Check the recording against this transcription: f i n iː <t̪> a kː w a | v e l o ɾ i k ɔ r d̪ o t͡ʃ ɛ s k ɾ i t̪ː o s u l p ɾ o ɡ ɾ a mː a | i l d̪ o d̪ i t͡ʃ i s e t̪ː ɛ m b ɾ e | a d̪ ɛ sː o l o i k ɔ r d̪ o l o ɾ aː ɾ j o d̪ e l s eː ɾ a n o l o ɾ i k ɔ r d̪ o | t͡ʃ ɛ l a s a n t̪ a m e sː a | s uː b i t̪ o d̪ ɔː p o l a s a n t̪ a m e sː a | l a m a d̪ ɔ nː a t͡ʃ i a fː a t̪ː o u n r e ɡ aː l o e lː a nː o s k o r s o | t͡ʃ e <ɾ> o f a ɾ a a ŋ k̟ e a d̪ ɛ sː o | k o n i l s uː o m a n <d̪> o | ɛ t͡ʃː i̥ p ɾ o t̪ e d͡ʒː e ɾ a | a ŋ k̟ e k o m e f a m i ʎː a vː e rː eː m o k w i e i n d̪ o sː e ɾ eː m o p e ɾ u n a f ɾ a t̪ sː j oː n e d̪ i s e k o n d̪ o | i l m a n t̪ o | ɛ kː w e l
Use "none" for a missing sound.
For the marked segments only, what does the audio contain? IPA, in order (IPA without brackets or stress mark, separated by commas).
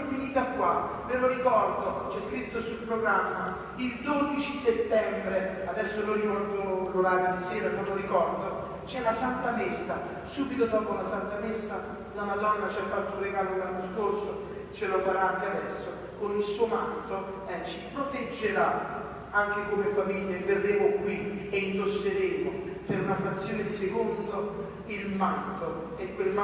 t̪, l, t̪